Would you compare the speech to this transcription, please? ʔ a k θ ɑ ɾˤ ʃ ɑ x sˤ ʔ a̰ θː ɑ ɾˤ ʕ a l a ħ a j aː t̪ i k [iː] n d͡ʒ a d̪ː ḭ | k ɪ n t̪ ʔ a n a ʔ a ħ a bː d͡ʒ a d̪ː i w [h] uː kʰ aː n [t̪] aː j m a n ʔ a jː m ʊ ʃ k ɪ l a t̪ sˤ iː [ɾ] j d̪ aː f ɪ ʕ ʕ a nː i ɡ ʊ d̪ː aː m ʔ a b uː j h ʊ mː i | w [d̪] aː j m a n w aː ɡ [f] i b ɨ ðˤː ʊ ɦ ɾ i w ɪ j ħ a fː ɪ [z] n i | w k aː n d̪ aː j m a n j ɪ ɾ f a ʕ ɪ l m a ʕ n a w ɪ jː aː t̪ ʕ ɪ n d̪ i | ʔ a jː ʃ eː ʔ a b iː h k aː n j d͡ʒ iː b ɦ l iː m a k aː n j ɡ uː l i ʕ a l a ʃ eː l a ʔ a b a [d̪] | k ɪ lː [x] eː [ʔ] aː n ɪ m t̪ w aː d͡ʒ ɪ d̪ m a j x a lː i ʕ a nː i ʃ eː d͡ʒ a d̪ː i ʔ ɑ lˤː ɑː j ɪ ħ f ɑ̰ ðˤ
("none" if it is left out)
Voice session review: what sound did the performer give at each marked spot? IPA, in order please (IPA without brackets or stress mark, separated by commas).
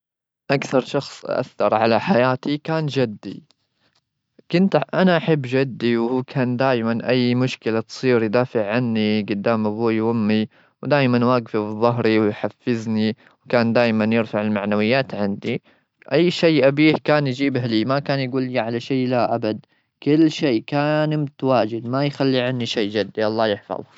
aː, h, d̪, ɾ, d̪, f, z, d̪, ʃ, k